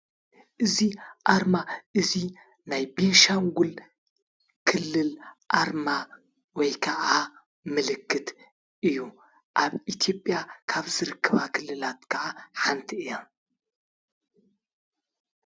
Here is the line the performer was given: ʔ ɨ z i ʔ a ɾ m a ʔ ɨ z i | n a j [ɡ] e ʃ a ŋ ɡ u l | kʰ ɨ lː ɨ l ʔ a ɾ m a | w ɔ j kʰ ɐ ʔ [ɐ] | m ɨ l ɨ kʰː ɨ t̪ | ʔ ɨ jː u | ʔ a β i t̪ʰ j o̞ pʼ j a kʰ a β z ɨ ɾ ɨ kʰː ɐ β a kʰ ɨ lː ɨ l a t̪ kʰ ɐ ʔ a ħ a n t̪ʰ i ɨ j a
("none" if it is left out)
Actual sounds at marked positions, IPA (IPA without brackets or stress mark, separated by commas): b, a